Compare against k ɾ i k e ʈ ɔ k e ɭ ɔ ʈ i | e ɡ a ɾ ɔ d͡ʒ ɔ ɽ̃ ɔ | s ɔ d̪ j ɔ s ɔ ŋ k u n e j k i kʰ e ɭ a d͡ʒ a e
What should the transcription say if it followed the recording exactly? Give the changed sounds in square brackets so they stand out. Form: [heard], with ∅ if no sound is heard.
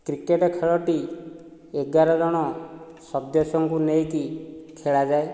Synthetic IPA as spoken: k ɾ i k e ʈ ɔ [kʰ] e ɭ ɔ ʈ i | e ɡ a ɾ ɔ d͡ʒ ɔ ɽ̃ ɔ | s ɔ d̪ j ɔ s ɔ ŋ k u n e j k i kʰ e ɭ a d͡ʒ a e